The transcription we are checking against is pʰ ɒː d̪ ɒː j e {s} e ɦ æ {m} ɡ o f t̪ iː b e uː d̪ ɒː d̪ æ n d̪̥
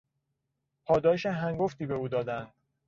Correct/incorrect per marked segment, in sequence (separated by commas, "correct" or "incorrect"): incorrect, incorrect